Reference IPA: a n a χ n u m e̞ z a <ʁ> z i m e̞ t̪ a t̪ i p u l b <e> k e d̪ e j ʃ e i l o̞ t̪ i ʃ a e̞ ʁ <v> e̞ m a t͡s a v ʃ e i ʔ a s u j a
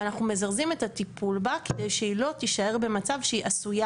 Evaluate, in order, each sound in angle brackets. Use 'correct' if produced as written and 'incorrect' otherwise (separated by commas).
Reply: correct, incorrect, incorrect